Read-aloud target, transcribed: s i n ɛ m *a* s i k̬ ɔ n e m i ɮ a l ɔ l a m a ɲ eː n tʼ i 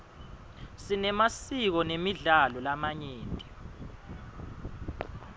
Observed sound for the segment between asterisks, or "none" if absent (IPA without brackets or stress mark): a